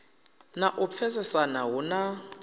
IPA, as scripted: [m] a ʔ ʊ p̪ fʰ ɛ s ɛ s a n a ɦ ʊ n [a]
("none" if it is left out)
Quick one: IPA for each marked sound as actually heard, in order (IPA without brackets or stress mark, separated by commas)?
n, a